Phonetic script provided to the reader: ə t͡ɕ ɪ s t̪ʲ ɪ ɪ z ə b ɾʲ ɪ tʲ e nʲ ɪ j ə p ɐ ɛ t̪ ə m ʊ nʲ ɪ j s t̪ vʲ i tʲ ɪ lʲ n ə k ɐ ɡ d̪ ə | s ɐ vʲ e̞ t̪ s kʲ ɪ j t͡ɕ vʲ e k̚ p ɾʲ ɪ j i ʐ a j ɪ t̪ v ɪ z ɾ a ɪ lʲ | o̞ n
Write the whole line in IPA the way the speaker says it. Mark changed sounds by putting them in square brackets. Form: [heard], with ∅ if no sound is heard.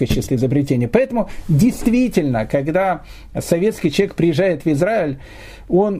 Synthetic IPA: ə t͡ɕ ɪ s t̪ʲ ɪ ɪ z ə b ɾʲ ɪ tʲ e nʲ ɪ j ə p ɐ ɛ t̪ ə m ʊ [dʲ] ɪ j s t̪ vʲ i tʲ ɪ lʲ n ə k ɐ ɡ d̪ [a] | s ɐ vʲ e̞ t̪ s kʲ ɪ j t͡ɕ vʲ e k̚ p ɾʲ ɪ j [ɪ] ʐ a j ɪ t̪ v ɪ z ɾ a ɪ lʲ | o̞ n